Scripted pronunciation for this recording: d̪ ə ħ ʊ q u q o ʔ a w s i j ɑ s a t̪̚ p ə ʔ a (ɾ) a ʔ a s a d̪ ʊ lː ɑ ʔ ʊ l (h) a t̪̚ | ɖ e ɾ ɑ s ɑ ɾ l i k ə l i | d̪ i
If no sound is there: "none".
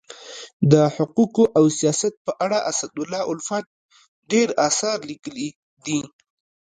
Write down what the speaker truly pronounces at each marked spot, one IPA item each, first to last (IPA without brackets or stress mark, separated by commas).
ɽ, f